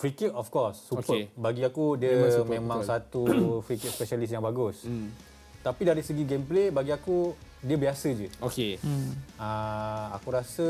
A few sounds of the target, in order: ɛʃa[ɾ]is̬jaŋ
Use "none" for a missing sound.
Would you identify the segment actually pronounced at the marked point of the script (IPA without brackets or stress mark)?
l